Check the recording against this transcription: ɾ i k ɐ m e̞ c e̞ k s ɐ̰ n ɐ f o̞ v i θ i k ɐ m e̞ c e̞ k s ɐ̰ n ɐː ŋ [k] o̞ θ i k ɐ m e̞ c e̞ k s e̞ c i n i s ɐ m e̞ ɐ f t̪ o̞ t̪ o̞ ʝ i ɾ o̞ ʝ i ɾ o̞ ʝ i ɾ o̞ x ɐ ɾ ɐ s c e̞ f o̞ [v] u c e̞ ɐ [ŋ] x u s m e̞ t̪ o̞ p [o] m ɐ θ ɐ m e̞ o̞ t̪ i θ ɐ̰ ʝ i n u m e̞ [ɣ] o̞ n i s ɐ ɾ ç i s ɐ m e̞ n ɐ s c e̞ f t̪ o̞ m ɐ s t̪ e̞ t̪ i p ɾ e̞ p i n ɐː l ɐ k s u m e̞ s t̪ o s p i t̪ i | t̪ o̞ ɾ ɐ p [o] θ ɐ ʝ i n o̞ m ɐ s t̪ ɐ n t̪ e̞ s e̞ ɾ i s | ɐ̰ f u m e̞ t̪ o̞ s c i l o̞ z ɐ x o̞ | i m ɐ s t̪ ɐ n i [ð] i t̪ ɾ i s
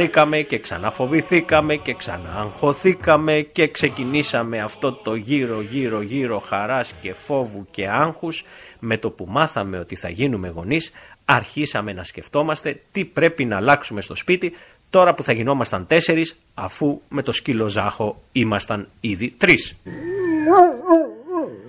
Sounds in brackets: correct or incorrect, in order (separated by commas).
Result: incorrect, correct, correct, incorrect, correct, incorrect, correct